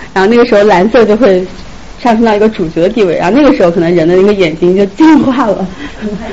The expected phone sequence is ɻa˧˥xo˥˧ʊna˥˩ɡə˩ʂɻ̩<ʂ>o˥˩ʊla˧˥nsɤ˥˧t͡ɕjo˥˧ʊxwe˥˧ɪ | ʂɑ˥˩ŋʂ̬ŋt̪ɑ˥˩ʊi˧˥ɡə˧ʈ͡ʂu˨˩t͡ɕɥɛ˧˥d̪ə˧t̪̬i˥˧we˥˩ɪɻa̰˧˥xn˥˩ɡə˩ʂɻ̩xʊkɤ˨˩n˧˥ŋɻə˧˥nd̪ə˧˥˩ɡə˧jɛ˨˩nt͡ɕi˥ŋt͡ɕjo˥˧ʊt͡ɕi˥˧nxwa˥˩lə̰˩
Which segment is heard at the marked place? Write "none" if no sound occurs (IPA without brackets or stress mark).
x